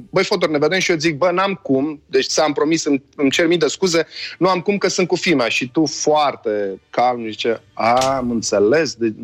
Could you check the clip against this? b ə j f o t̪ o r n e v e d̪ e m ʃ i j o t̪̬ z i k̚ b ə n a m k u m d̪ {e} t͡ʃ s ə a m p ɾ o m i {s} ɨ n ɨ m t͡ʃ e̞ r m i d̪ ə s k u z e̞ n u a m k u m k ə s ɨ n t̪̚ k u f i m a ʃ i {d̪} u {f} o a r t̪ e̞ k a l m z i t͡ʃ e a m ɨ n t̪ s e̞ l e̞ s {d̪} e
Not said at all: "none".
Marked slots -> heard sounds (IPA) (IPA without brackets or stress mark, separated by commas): e, s, t̪, f, d̪